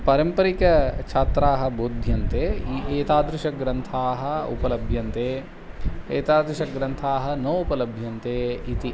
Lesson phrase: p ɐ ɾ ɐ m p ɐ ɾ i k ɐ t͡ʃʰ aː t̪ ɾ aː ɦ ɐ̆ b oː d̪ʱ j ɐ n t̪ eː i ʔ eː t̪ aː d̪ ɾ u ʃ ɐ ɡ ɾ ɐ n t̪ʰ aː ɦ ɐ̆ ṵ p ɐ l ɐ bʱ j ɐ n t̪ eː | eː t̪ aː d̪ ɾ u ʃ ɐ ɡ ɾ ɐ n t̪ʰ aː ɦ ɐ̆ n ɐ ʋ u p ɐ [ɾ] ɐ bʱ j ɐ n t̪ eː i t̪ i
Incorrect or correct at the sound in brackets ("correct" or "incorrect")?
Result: incorrect